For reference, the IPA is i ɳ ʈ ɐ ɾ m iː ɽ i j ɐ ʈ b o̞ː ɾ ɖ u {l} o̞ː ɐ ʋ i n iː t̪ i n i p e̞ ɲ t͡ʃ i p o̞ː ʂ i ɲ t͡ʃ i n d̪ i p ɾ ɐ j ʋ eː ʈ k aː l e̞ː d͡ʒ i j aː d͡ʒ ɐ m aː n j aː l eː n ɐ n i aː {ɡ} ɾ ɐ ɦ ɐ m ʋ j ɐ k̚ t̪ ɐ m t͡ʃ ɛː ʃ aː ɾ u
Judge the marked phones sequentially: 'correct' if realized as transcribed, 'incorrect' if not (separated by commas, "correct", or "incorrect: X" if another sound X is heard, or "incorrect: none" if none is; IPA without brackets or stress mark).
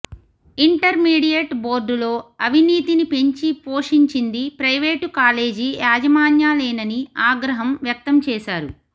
correct, correct